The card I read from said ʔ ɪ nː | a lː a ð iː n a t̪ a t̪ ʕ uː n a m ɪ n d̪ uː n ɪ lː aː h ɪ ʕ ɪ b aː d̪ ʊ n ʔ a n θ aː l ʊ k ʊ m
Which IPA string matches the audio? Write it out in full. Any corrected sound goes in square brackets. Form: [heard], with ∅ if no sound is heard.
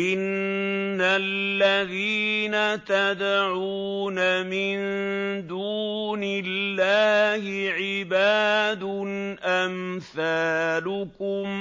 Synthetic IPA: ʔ ɪ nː | a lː a ð iː n a t̪ a [d̪] ʕ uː n a m ɪ n d̪ uː n ɪ lː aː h ɪ ʕ ɪ b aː d̪ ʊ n ʔ a [m] θ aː l ʊ k ʊ m

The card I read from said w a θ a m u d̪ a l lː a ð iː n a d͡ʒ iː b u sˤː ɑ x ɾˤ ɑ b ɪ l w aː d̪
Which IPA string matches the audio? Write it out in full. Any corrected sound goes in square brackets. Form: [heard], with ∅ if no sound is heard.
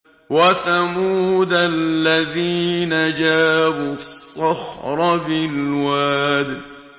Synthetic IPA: w a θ a m [uː] d̪ a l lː a ð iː n a d͡ʒ [aː] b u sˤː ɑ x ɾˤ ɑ b ɪ l w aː d̪

